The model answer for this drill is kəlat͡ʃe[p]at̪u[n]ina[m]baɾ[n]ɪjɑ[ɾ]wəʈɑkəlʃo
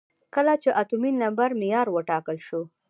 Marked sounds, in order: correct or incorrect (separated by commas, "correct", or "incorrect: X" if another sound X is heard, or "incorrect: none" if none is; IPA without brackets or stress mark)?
incorrect: ʔ, incorrect: m, correct, incorrect: m, correct